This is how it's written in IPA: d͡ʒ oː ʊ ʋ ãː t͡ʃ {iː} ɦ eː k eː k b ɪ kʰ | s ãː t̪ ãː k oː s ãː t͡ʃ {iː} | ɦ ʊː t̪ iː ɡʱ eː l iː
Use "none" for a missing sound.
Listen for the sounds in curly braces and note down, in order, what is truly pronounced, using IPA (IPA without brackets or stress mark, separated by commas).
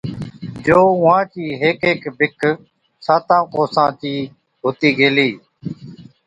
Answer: iː, iː